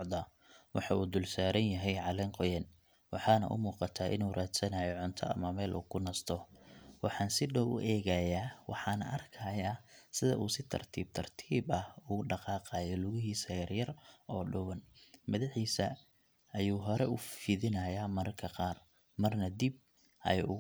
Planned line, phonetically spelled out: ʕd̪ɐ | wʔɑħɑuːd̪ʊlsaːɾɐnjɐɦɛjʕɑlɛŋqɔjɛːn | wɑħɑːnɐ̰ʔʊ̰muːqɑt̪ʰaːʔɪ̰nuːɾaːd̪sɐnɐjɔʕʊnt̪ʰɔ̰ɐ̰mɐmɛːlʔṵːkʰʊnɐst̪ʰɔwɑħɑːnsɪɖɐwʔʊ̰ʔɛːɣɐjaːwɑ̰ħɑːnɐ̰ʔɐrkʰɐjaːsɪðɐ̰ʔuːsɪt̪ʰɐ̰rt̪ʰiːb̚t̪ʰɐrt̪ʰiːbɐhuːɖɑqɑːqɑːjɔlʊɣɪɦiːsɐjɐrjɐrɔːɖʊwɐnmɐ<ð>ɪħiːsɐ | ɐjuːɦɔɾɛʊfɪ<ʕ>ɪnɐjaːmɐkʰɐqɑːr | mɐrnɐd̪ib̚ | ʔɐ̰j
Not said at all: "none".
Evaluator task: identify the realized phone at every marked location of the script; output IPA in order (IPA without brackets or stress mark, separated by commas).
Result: ð, ð